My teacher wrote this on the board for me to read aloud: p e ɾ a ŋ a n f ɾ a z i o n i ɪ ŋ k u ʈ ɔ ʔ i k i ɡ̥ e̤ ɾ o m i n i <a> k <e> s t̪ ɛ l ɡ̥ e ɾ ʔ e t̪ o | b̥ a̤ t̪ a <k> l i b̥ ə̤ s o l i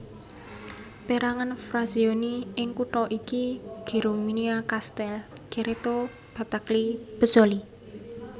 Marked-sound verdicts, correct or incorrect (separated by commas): correct, incorrect, correct